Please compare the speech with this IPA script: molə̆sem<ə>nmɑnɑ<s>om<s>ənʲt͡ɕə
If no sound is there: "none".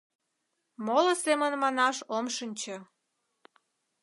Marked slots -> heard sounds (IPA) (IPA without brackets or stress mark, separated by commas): ə, ʃ, ʃ